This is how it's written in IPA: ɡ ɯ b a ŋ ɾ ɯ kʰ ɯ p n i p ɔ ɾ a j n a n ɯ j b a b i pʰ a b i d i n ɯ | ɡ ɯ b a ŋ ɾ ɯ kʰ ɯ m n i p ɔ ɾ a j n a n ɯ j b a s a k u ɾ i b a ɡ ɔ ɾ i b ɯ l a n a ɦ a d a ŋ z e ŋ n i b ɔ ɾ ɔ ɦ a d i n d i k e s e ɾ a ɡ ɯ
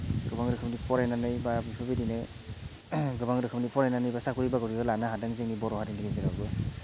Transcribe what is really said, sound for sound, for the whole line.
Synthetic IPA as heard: ɡ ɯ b a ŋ ɾ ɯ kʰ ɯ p n i p ɔ ɾ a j n a n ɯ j b a b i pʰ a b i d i n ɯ | ɡ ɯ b a ŋ ɾ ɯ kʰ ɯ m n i p ɔ ɾ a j n a n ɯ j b a s a k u ɾ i b a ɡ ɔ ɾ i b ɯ l a n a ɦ a d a ŋ z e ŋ n i b ɔ ɾ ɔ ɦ a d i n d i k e z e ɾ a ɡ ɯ